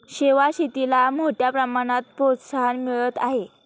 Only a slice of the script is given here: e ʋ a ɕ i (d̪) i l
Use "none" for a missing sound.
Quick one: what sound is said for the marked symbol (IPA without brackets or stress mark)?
t̪